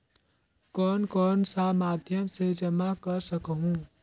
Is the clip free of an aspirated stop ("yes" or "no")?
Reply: yes